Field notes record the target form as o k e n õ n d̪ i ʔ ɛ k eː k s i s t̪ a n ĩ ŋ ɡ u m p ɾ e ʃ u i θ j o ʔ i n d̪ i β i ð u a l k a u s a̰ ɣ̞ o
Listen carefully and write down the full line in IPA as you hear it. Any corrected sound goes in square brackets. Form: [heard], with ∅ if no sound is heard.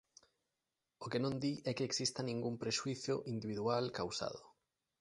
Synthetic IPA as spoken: o k e n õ n d̪ i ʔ ɛ k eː k s i s t̪ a n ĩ ŋ ɡ u m p ɾ e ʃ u i θ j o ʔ i n d̪ i β i ð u a l k a [w] s a̰ [ð̞] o